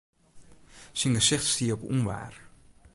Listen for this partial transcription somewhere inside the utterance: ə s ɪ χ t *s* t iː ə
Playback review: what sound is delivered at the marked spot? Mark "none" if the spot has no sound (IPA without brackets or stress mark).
s